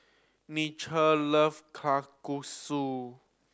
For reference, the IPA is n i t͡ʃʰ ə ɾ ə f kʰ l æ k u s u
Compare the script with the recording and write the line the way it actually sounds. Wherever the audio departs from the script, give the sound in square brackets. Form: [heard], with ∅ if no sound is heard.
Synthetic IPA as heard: n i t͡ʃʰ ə [l] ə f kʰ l [a] k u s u

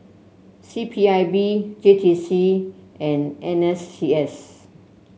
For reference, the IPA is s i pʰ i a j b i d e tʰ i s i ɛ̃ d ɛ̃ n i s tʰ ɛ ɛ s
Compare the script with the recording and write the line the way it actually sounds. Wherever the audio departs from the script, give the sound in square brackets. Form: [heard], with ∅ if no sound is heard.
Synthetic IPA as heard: s i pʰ i a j b i [d͡ʒ] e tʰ i s i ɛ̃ [n] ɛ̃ n [ɛ] s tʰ [i] ɛ s

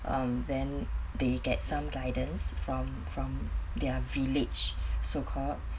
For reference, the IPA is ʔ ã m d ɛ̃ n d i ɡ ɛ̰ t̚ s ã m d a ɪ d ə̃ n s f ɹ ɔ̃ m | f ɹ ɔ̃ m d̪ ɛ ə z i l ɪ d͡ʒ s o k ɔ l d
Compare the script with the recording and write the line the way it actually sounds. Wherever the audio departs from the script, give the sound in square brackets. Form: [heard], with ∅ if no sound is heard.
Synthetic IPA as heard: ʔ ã m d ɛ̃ n d [e] ɡ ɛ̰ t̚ s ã m [ɡ] a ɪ d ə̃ n s f ɹ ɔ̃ m | f ɹ ɔ̃ m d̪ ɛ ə [v] i l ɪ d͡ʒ s o [kʰ] ɔ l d

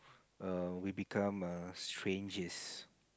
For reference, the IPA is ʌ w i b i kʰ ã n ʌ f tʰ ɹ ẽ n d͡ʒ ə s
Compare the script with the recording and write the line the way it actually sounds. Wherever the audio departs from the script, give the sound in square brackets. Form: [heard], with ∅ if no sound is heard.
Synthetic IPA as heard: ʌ w i b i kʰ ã [m] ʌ [s] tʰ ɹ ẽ n d͡ʒ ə s

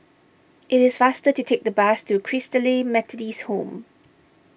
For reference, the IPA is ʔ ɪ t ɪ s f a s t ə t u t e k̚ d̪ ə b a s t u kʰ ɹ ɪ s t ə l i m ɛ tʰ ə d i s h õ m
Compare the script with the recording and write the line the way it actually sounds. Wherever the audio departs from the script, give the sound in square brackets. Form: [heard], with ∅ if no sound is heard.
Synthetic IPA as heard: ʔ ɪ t ɪ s f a s t ə t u [tʰ] e k̚ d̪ ə b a s t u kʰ ɹ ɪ s t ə l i m ɛ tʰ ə d i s h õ m

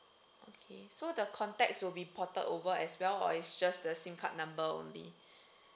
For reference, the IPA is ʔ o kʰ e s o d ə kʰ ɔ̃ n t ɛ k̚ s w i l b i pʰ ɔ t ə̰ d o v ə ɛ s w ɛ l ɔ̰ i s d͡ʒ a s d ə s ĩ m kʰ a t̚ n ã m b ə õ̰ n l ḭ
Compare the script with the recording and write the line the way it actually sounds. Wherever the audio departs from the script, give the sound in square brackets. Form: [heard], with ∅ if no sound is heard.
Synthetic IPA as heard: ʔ o kʰ e s o d ə kʰ ɔ̃ n t ɛ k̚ s w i l b i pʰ ɔ t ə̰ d o v ə ɛ s w ɛ l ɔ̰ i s d͡ʒ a s d ə s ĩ m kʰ a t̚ n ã m b ə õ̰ n l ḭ

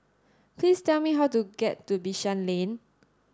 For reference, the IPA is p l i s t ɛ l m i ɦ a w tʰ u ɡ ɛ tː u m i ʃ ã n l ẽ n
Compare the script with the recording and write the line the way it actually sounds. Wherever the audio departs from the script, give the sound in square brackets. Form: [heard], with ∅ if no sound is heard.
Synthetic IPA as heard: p l i s t ɛ l m i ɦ a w [t] u ɡ ɛ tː u [b] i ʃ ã n l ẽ n

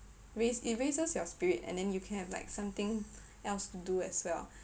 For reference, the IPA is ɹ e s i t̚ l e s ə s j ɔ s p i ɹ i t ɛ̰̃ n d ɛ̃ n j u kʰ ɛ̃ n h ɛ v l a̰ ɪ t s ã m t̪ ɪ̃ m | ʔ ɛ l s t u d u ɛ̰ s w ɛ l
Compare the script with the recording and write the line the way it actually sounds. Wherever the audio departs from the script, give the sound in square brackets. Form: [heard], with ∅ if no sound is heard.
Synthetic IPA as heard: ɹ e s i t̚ [ɹ] e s ə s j ɔ s p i ɹ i t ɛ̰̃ n d ɛ̃ n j u kʰ ɛ̃ n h ɛ v l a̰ ɪ [k] s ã m t̪ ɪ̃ [ŋ] | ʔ ɛ l s t u d u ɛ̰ s w ɛ l

